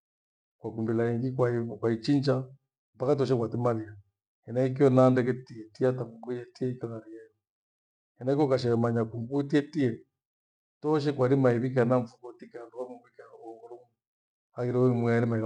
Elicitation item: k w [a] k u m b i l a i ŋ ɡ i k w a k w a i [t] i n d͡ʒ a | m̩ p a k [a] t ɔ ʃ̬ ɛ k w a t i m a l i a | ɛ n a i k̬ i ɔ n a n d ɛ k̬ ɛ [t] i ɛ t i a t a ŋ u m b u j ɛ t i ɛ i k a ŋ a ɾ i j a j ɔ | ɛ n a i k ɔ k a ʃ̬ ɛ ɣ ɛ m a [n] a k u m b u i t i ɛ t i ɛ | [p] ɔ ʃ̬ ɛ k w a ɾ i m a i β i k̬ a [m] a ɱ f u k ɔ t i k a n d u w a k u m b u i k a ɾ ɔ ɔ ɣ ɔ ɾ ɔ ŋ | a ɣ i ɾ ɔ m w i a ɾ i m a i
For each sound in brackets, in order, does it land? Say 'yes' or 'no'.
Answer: yes, no, yes, yes, no, no, no

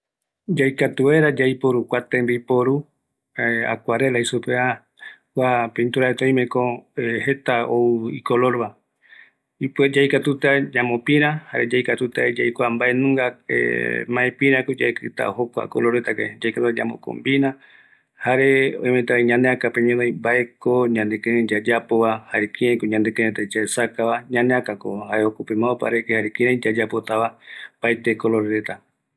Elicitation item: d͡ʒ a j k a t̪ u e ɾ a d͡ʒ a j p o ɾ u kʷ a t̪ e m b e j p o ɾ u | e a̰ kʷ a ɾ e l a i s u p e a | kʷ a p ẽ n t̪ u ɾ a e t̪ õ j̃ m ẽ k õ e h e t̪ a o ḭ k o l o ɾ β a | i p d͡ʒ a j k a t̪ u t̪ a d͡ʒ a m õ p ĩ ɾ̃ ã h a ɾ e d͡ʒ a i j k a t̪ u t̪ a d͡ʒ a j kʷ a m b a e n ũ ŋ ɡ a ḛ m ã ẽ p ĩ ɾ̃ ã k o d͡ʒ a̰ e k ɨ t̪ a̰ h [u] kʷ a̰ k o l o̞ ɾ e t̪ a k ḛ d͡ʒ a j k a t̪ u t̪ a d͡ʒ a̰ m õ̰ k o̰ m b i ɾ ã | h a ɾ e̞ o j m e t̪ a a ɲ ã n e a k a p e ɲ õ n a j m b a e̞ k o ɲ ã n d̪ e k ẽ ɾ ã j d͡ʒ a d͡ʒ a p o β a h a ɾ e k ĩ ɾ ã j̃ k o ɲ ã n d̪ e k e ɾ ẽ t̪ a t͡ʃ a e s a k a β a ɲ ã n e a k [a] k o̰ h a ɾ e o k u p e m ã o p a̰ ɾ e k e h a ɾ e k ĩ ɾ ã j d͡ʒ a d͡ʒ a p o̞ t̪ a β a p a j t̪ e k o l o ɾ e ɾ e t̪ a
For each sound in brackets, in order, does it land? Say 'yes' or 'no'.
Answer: no, yes

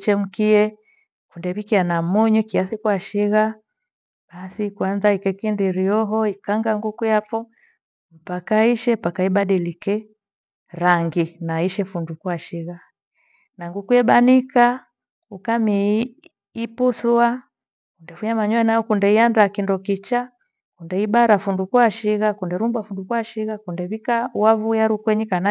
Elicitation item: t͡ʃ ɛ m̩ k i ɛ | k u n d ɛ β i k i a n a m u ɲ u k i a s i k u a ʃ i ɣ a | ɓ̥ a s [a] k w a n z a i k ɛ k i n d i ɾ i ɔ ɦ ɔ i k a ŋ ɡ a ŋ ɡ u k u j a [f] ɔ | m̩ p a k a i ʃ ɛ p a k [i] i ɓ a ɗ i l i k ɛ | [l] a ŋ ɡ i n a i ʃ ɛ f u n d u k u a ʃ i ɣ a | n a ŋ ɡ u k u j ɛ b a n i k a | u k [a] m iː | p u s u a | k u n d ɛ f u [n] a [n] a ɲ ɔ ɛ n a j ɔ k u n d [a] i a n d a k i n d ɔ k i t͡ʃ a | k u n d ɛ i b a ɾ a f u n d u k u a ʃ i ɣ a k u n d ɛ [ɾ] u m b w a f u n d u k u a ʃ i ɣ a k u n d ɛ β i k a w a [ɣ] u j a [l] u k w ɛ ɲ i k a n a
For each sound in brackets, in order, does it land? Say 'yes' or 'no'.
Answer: no, yes, no, no, yes, no, no, no, yes, no, no

